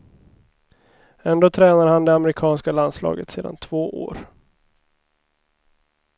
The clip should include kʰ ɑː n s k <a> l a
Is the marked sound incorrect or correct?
correct